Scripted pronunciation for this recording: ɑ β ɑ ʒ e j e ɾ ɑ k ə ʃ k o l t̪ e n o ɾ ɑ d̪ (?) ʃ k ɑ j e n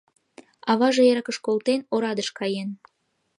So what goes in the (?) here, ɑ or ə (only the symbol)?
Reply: ə